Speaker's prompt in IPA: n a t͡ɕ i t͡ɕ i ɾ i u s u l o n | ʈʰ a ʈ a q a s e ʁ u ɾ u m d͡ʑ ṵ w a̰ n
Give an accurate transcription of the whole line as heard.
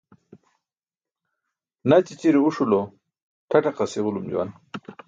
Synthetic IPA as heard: n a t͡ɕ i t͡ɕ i ɾ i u ʂ u l o | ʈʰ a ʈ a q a s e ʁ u l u m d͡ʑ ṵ w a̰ n